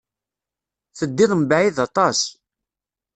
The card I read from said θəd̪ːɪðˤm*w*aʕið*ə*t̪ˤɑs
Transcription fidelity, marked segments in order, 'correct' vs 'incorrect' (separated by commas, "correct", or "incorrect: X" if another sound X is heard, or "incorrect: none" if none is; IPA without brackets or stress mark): incorrect: b, incorrect: ɑ